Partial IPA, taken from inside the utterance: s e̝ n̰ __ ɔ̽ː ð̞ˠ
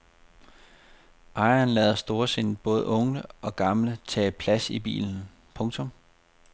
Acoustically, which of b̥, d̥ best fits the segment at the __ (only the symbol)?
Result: b̥